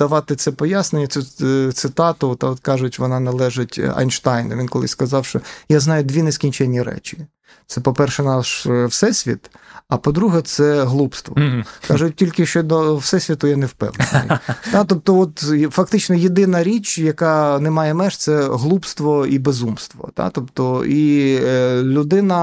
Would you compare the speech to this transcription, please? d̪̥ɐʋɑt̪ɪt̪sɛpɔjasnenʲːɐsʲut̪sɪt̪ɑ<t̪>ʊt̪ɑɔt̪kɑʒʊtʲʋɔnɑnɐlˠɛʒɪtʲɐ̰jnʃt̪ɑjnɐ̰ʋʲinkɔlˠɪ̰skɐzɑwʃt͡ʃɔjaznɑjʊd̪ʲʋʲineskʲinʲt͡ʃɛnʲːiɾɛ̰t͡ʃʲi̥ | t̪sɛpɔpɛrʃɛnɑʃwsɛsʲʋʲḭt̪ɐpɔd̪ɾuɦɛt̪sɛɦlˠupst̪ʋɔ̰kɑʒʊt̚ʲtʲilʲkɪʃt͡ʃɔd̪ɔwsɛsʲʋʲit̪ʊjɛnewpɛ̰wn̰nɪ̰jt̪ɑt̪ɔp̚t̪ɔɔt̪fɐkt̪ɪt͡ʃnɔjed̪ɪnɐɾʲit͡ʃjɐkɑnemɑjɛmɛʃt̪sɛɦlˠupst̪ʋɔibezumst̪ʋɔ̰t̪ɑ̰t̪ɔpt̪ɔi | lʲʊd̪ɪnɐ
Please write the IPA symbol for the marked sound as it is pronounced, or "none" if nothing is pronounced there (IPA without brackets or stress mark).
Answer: t̪